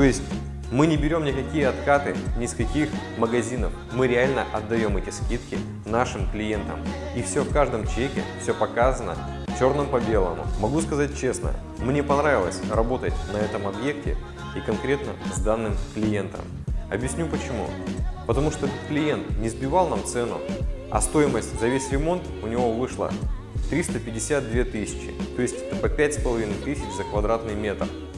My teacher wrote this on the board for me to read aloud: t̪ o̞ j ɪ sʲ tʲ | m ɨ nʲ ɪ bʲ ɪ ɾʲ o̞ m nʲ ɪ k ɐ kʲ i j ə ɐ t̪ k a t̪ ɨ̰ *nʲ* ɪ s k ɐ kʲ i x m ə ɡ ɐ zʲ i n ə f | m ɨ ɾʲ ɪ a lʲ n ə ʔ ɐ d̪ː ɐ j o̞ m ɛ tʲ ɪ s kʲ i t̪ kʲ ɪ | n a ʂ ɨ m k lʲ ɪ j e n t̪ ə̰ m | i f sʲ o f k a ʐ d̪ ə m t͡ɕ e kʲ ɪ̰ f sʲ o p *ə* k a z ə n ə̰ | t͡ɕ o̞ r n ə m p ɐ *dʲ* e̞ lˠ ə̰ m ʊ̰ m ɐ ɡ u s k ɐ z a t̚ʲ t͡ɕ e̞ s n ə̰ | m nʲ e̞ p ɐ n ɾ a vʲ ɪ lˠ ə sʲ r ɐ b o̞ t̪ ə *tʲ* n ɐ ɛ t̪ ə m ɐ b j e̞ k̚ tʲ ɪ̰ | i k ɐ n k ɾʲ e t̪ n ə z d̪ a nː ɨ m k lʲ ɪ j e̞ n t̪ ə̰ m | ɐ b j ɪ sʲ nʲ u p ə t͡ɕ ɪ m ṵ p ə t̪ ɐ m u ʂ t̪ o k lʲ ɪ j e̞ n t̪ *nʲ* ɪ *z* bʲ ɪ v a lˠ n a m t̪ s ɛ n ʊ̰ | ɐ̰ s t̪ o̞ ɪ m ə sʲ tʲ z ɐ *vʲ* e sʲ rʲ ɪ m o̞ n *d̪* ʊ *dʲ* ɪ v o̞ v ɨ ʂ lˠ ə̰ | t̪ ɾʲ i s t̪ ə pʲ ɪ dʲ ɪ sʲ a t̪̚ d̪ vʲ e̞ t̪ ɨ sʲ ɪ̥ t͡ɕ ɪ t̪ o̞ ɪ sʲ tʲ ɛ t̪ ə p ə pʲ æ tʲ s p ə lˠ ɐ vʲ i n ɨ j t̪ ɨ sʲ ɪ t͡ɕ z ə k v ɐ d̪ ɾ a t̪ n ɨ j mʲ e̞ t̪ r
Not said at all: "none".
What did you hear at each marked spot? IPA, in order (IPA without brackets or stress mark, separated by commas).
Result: nʲ, ɐ, bʲ, tʲ, nʲ, z, vʲ, t̪, nʲ